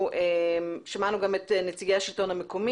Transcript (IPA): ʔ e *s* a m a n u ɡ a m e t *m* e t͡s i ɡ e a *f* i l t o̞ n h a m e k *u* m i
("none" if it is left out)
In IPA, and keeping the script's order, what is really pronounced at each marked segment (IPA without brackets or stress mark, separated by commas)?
ʃ, n, ʃ, o